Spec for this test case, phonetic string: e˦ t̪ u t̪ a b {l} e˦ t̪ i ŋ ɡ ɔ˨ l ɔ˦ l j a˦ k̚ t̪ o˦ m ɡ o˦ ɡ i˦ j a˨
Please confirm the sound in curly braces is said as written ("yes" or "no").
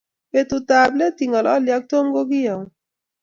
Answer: yes